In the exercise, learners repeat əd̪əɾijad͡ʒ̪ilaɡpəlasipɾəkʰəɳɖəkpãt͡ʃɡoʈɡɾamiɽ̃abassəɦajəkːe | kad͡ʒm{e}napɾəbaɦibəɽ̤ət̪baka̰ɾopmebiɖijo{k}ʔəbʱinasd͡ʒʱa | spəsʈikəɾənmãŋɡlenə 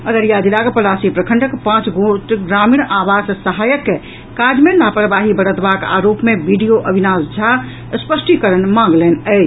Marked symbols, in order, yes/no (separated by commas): yes, no